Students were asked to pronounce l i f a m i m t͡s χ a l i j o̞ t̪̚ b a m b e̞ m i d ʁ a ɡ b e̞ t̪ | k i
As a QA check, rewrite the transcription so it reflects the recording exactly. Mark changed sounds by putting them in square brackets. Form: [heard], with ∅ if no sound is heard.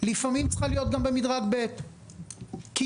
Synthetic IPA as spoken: l i f a m i m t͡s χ a l i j o̞ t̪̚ [ɡ] a m b e̞ m i d ʁ a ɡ b e̞ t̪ | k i